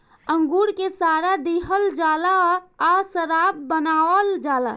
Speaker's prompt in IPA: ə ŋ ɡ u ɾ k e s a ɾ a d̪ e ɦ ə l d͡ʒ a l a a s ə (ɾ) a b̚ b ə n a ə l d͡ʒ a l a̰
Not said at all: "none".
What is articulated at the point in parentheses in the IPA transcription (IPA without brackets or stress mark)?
ɾ